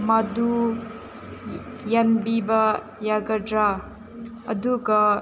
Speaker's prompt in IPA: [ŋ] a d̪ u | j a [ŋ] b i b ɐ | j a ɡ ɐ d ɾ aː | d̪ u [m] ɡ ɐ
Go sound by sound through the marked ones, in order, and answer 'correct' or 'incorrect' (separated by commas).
incorrect, incorrect, incorrect